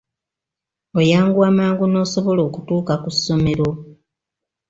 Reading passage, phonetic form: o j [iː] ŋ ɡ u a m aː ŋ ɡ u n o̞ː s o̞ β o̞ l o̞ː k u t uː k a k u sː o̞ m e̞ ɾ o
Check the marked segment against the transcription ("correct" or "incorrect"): incorrect